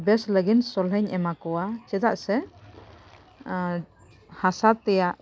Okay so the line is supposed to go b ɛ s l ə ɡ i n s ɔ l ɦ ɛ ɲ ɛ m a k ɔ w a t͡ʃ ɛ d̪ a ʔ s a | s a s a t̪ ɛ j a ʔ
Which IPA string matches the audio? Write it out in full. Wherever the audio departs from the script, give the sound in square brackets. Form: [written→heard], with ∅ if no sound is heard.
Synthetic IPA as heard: b ɛ s l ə ɡ i n s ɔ l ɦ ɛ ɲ ɛ m a k ɔ w a t͡ʃ ɛ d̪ a ʔ s [a→ɛ] | [s→h] a s a t̪ ɛ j a ʔ